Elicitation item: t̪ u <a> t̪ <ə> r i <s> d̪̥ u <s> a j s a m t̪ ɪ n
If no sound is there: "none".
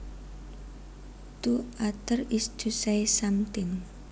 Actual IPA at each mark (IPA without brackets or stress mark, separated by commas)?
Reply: a, ə, s, s